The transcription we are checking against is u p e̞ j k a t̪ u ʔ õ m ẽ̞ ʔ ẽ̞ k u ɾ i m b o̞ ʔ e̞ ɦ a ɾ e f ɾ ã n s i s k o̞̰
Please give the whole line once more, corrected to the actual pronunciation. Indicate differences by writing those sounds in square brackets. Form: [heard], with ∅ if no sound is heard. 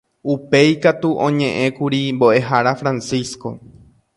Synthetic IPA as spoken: u p e̞ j k a t̪ u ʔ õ [ɲ] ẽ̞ ʔ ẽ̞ k u ɾ i m b o̞ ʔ e̞ ɦ a ɾ [a] f ɾ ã n s i s k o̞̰